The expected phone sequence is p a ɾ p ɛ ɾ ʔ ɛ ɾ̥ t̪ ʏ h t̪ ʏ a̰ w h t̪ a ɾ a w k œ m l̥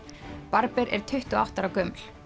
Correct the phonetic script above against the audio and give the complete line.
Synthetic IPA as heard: p a ɾ p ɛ ɾ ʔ ɛ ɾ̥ t̪ʰ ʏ h t̪ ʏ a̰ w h t̪ a ɾ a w k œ m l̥